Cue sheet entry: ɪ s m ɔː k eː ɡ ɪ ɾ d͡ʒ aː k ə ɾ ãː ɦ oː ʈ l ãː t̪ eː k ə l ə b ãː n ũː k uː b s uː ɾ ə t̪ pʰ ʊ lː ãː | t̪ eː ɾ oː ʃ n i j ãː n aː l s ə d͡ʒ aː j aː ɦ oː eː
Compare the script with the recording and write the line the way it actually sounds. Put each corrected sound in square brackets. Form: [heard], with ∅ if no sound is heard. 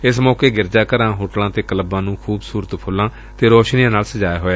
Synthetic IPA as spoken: ɪ s m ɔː k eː ɡ ɪ ɾ d͡ʒ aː k ə ɾ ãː ɦ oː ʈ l ãː t̪ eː k ə l ə b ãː n ũː [kʰ] uː b s uː ɾ ə t̪ pʰ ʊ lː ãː | t̪ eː ɾ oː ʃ n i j ãː n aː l s ə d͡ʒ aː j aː ɦ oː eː